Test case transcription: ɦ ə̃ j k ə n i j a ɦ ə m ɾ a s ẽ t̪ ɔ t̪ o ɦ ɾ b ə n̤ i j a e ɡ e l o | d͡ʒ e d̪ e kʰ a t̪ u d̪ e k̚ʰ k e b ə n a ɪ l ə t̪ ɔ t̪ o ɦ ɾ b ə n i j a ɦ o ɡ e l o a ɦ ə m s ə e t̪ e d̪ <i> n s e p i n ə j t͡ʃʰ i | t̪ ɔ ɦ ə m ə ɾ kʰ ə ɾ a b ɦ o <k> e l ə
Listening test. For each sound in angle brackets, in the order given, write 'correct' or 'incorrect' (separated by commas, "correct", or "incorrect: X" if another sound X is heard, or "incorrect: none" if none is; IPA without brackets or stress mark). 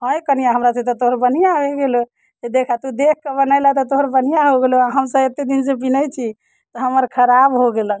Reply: correct, incorrect: ɡ